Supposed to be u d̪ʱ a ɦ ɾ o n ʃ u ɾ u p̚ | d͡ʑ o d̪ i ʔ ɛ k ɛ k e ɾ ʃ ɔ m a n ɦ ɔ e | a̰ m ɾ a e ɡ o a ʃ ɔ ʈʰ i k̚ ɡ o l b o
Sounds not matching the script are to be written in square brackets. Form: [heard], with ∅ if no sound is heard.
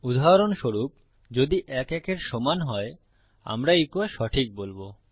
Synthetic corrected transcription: u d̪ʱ a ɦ ɾ o n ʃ [o] ɾ u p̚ | d͡ʑ o d̪ i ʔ ɛ k ɛ k e ɾ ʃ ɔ m a n ɦ ɔ e | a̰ m ɾ a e [k] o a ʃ ɔ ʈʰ i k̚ [b] o l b o